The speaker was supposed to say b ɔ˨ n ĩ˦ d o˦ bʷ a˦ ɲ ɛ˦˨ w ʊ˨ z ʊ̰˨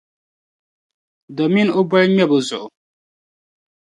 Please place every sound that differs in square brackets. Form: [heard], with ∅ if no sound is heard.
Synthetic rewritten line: [d] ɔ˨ [m] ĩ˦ [n] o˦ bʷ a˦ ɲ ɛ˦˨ [b] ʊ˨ z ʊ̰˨